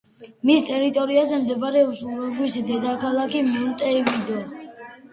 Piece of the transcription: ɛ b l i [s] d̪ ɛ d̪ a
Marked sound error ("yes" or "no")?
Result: no